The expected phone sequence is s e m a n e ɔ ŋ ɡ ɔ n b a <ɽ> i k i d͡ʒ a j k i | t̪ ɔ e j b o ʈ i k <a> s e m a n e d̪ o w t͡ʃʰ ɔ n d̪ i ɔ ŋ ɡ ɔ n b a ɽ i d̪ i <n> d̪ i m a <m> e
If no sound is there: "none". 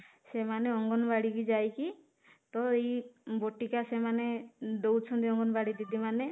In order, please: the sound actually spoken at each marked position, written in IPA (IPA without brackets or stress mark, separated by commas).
ɽ, a, none, n